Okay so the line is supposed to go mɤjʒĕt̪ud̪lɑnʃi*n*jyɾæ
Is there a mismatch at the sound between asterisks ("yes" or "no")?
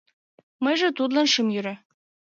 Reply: yes